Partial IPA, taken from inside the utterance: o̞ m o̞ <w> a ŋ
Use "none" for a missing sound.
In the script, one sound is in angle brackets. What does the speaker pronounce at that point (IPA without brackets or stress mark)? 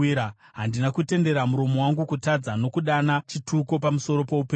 w